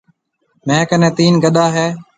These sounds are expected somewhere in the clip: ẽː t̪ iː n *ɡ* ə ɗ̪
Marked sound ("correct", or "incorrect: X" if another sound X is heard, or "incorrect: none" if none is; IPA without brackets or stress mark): correct